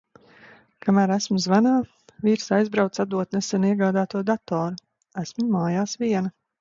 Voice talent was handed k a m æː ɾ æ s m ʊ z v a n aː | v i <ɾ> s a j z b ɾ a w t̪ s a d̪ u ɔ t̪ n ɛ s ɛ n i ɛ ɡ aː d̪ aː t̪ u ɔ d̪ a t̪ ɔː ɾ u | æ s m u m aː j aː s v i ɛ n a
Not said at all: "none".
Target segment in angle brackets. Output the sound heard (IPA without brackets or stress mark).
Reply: ɾ